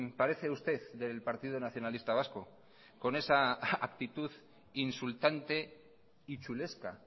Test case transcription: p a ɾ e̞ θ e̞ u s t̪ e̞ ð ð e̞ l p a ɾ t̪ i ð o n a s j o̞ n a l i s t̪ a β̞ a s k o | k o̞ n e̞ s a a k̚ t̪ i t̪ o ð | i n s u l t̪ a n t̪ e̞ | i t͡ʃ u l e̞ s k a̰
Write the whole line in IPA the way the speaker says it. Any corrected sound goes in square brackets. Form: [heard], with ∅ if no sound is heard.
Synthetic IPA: p a ɾ e̞ θ e̞ u s t̪ e̞ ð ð e̞ l p a ɾ t̪ i ð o n a [θ] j o̞ n a l i s t̪ a β̞ a s k o | k o̞ n e̞ s a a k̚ t̪ i t̪ [u] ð | i n s u l t̪ a n t̪ e̞ | i t͡ʃ u l e̞ s k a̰